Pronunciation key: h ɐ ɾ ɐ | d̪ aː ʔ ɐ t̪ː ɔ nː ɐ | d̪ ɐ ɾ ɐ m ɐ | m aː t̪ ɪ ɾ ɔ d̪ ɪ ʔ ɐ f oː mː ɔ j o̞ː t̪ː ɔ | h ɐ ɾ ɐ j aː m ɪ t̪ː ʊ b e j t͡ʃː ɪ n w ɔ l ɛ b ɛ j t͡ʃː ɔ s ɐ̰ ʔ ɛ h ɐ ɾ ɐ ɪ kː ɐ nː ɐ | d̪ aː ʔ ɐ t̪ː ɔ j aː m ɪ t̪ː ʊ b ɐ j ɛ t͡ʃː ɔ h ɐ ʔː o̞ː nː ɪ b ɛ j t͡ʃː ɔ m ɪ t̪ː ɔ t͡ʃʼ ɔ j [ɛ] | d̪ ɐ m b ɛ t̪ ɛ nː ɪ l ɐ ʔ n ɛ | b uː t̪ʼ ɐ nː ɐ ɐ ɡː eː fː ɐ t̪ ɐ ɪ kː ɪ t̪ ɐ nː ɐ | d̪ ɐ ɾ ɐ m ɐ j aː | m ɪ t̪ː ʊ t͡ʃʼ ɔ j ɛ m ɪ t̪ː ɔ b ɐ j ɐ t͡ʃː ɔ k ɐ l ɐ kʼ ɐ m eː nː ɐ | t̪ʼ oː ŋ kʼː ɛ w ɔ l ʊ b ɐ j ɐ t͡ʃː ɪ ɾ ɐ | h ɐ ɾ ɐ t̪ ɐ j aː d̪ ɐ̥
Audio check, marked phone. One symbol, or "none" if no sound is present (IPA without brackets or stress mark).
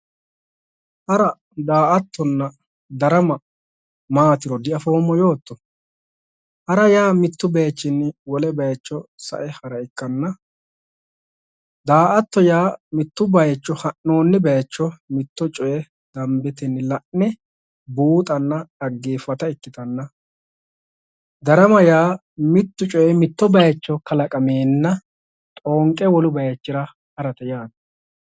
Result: ɛ